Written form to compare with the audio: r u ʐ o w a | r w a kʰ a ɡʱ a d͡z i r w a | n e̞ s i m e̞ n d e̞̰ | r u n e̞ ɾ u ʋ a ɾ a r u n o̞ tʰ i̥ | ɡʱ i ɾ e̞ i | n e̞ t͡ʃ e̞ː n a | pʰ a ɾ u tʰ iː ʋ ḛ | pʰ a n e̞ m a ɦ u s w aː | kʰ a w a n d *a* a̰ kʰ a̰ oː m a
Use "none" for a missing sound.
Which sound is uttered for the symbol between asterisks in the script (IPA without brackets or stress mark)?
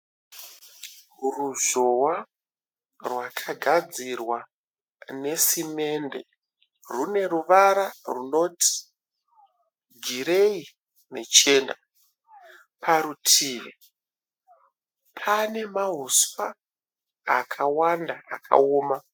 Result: a